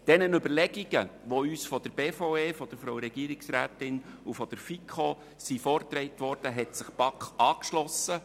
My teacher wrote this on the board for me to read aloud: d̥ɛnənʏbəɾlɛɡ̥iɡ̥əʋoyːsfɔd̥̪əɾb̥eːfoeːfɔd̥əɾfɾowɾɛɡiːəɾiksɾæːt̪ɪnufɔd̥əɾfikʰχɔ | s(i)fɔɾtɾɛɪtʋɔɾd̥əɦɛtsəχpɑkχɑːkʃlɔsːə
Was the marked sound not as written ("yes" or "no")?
no